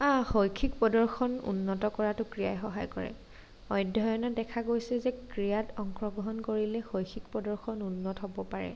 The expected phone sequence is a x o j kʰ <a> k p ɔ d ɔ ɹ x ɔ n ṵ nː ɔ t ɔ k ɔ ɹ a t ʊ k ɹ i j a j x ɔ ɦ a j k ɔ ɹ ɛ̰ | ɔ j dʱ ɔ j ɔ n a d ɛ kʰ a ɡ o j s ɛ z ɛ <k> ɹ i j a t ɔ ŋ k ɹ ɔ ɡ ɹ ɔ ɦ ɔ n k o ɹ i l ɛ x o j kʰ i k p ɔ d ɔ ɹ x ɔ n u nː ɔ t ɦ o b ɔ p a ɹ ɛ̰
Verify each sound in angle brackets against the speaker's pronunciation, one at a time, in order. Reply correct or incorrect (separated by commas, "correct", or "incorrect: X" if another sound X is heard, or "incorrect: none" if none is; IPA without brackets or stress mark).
incorrect: i, correct